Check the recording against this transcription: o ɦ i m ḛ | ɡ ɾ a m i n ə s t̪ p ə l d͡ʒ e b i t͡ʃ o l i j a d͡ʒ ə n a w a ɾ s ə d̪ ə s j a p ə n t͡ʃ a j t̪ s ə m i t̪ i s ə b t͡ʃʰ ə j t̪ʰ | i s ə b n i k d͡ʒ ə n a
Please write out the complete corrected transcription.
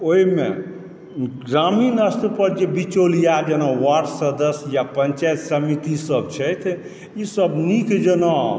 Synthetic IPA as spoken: o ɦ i m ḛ | ɡ ɾ a m i n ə s t̪ p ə ɾ d͡ʒ e b i t͡ʃ o l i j a d͡ʒ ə n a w a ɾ s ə d̪ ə s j a p ə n t͡ʃ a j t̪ s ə m i t̪ i s ə b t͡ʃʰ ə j t̪ʰ | i s ə b n i k d͡ʒ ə n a